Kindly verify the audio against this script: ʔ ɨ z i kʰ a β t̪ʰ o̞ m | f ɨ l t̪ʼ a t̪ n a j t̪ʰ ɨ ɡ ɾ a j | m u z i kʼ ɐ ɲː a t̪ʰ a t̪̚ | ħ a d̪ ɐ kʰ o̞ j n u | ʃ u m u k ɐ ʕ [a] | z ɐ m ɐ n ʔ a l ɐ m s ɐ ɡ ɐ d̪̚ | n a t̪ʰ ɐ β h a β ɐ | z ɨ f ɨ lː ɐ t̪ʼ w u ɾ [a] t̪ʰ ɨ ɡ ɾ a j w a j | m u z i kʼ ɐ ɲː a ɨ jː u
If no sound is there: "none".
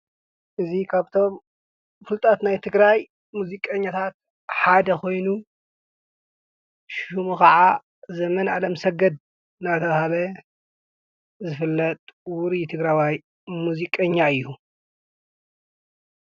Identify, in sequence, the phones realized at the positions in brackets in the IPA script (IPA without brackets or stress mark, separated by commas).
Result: a, i